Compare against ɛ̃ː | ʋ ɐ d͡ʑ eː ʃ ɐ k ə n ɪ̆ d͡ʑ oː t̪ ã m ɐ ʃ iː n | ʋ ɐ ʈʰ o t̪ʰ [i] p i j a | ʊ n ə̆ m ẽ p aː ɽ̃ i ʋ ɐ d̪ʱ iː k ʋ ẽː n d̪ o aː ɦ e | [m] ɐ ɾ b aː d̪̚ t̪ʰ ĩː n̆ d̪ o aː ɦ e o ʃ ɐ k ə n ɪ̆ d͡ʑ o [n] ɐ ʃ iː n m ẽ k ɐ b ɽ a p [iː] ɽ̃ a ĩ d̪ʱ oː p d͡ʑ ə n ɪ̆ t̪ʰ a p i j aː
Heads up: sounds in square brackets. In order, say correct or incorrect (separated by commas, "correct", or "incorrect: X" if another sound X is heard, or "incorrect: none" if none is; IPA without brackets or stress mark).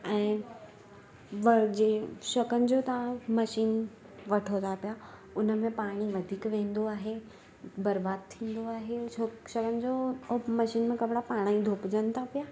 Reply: incorrect: a, incorrect: b, incorrect: m, incorrect: aː